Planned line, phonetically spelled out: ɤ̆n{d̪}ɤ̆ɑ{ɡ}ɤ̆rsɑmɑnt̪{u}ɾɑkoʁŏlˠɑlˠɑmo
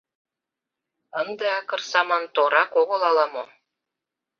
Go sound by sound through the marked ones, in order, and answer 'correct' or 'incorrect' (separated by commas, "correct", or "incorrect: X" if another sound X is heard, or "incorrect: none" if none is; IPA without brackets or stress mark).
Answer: correct, incorrect: k, incorrect: o